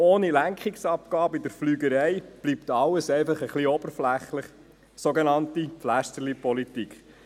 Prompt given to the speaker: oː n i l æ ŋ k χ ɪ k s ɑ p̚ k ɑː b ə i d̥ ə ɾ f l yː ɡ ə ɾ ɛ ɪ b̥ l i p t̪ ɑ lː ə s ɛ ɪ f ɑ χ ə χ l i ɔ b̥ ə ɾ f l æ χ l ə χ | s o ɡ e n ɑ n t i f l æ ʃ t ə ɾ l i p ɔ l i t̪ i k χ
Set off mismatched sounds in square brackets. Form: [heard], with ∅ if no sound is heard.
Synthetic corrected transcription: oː n i l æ ŋ k χ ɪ k s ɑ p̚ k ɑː b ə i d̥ ə ɾ f l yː ɡ ə ɾ ɛ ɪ b̥ l i p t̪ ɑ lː ə s ɛ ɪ f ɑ χ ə χ l i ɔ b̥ ə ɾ f l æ χ l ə χ | s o ɡ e n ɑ n t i f l æ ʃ t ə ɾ l i p ɔ l i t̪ i k χ